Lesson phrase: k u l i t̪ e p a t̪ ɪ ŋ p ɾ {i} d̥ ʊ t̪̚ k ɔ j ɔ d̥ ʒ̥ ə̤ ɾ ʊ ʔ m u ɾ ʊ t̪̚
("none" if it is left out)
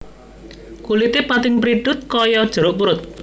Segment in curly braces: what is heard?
i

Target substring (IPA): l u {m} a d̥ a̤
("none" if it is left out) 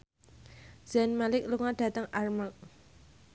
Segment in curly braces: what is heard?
ŋ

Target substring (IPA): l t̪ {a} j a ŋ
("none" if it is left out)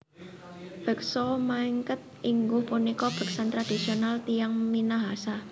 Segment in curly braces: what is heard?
i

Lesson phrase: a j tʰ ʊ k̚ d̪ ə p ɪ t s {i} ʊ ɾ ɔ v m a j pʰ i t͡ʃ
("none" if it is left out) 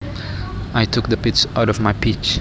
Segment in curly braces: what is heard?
a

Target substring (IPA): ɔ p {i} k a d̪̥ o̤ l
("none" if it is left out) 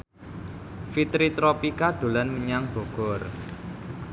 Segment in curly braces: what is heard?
i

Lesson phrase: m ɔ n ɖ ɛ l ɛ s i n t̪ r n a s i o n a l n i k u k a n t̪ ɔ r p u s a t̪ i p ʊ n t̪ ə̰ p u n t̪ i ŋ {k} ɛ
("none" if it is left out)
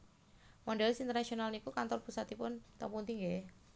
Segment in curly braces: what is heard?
ɡ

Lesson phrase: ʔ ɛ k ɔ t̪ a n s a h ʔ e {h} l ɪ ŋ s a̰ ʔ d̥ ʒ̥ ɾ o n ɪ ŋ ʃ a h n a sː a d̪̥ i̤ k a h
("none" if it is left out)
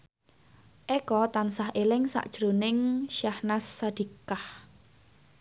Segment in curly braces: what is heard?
none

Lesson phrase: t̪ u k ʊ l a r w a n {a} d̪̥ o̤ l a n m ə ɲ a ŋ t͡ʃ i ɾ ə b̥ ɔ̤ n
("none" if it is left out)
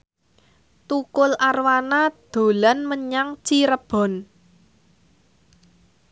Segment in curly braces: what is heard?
a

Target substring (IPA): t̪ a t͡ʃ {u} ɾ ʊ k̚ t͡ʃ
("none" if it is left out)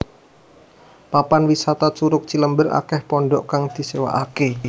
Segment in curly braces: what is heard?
u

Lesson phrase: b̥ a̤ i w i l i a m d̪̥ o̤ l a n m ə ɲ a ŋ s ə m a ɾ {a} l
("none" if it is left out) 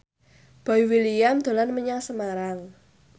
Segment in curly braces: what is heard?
a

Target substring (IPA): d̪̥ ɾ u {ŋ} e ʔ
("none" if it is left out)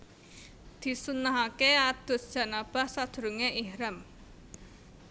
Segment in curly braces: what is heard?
ŋ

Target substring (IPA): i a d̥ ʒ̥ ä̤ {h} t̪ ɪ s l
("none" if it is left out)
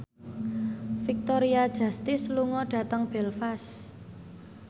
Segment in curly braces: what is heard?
s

